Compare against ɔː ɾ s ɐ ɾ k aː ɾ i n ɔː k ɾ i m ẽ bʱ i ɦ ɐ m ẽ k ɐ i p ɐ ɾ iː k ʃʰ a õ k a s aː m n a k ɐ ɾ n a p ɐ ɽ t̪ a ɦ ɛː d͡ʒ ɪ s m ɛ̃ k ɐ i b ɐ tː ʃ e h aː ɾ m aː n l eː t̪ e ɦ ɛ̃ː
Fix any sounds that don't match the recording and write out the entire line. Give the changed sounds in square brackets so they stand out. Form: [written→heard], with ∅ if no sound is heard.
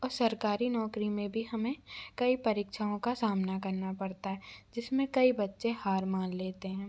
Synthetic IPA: ɔː ɾ s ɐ ɾ k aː ɾ i n ɔː k ɾ i m ẽ bʱ i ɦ ɐ m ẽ k ɐ i p ɐ ɾ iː k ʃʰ a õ k a s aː m n a k ɐ ɾ n a p ɐ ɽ t̪ a ɦ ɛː d͡ʒ ɪ s m [ɛ̃→ẽ] k ɐ i b ɐ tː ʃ e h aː ɾ m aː n l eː t̪ e ɦ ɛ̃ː